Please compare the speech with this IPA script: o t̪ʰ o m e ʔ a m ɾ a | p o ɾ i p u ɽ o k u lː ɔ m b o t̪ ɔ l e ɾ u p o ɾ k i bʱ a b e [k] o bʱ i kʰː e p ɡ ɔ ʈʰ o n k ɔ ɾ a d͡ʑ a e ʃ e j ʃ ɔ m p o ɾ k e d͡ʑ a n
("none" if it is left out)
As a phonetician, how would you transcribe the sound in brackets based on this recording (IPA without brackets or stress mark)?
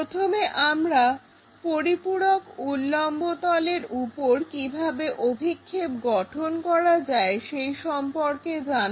ʔ